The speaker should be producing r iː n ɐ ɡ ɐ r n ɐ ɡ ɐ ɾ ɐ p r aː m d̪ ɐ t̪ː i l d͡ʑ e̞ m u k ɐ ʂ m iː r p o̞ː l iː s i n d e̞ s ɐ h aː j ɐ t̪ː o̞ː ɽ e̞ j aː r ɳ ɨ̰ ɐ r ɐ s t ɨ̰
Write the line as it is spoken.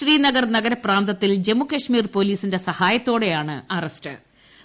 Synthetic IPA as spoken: r iː n ɐ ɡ ɐ r n ɐ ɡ ɐ ɾ ɐ p r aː n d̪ ɐ t̪ː i l d͡ʑ e̞ m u k ɐ ʂ m iː r p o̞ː l iː s i n d e̞ s ɐ h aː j ɐ t̪ː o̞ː ɽ e̞ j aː ɳ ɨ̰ ɐ r ɐ s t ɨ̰

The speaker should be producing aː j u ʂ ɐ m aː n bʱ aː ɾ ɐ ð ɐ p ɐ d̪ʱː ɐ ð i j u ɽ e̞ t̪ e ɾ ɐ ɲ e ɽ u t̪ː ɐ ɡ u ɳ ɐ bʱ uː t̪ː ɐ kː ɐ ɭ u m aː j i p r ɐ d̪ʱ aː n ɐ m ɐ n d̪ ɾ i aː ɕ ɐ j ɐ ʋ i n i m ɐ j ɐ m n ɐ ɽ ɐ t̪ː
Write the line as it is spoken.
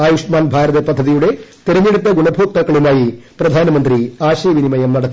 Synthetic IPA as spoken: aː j u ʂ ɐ m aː n bʱ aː ɾ ɐ ð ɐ p ɐ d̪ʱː ɐ ð i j u ɽ e̞ t̪ e ɾ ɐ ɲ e ɽ u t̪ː ɐ ɡ u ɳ ɐ bʱ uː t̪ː ɐ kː ɐ ɭ u m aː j i p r ɐ d̪ʱ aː n ɐ m ɐ n d̪ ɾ i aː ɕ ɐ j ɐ ʋ i n i m ɐ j ɐ m n ɐ ɽ ɐ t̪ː

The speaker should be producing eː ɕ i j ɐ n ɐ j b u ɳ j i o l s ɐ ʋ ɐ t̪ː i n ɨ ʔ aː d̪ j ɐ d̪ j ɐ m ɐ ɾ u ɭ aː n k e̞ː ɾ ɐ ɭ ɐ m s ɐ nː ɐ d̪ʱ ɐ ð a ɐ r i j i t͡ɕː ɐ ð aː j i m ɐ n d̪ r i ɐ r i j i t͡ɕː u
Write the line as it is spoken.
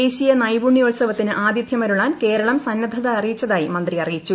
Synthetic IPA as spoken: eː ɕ i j ɐ n ɐ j b u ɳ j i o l s ɐ ʋ ɐ t̪ː i n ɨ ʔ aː d̪ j ɐ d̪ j ɐ m ɐ ɾ u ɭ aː n k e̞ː ɾ ɐ ɭ ɐ m s ɐ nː ɐ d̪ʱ ɐ ð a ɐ r i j i t͡ɕː ɐ ð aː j i m ɐ n d̪ r i ɐ r i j i t͡ɕː u

